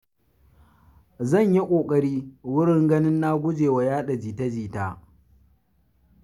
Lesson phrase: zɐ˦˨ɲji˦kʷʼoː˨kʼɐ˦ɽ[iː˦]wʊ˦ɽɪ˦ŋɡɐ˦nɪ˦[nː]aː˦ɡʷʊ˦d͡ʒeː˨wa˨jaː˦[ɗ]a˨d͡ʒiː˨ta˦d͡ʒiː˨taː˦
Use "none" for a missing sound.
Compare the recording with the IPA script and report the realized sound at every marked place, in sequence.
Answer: iː˦, nː, ɗ

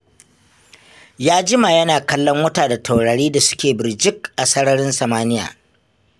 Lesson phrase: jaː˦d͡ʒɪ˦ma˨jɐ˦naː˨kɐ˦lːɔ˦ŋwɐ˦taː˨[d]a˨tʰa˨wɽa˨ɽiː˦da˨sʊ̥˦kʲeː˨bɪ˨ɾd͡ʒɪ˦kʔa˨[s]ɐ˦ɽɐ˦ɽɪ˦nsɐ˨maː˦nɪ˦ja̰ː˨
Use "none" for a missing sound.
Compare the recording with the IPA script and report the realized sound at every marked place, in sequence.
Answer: d, s

